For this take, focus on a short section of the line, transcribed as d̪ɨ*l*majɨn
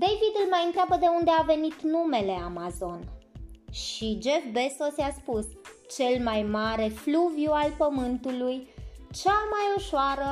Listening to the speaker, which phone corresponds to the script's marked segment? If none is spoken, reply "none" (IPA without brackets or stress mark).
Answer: l